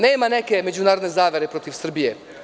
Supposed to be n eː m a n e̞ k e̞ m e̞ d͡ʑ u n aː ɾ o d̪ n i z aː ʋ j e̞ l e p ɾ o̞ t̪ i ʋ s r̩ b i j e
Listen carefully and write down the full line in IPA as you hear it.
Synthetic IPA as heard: n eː m a n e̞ k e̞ m e̞ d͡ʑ u n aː ɾ o d̪ n e z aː ʋ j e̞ ɾ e p ɾ o̞ t̪ i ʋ s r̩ b i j e